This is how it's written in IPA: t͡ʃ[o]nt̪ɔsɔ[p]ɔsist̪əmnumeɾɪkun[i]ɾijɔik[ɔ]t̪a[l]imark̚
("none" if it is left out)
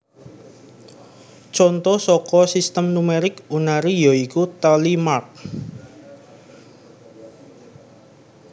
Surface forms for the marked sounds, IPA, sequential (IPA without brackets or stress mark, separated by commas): ɔ, k, a, u, l